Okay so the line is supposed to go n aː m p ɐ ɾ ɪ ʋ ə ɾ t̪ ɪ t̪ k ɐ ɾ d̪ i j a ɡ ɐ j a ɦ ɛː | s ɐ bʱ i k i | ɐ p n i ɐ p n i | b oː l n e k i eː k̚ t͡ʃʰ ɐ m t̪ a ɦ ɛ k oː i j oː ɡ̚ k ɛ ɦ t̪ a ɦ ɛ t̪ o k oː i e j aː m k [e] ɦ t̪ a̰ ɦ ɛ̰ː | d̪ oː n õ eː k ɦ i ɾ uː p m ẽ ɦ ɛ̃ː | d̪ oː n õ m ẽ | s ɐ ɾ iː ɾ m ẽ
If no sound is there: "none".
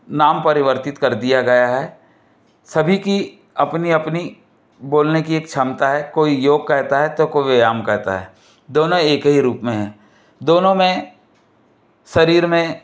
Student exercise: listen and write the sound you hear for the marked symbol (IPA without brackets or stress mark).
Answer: ɛ